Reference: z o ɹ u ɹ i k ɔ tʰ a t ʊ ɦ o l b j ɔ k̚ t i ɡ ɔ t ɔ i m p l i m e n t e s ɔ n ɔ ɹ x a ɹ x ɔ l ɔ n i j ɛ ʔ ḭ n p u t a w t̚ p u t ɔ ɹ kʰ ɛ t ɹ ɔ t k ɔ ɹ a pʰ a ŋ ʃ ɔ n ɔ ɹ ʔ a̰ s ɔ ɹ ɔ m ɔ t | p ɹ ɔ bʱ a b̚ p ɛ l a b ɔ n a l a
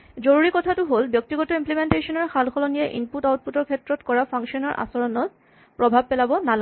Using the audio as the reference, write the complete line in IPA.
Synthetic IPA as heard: z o ɹ u ɹ i k ɔ tʰ a t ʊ ɦ o l b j ɔ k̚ t i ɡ ɔ t ɔ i m p l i m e n t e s ɔ n ɔ ɹ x a l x ɔ l ɔ n i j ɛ ʔ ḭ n p u t a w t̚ p u t ɔ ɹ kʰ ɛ t ɹ ɔ t k ɔ ɹ a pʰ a ŋ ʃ ɔ n ɔ ɹ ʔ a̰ s ɔ ɹ ɔ n ɔ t | p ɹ ɔ bʱ a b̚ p ɛ l a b ɔ n a l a